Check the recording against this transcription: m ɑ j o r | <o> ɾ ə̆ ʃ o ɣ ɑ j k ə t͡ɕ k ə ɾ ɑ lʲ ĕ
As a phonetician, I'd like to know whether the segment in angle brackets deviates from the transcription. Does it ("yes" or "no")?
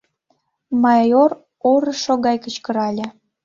no